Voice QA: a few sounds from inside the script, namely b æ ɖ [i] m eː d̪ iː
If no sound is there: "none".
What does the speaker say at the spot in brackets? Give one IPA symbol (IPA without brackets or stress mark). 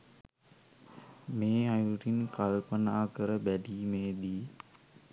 iː